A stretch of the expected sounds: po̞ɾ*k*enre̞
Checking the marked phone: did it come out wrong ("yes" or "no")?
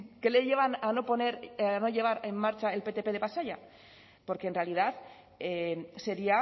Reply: no